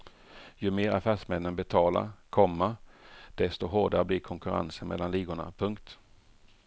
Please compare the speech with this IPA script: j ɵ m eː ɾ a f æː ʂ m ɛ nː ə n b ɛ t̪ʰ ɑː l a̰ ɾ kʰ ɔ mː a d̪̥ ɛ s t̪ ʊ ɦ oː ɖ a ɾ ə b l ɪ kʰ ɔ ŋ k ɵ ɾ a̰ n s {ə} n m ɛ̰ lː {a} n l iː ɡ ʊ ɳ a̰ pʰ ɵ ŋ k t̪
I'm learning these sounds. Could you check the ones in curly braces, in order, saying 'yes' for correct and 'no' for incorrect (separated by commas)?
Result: yes, yes